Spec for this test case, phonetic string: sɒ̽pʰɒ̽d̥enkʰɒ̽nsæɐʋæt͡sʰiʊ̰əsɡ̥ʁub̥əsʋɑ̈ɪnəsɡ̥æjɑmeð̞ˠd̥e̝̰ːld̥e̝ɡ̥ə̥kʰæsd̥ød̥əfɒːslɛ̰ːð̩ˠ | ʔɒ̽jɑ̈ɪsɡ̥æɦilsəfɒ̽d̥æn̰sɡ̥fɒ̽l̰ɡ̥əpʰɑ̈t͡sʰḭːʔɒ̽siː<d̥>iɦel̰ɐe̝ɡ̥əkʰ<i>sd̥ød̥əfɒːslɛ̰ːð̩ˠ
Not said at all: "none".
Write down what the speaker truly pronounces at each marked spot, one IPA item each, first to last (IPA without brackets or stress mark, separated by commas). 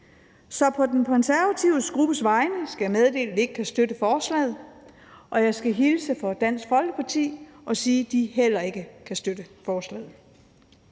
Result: d̥, æ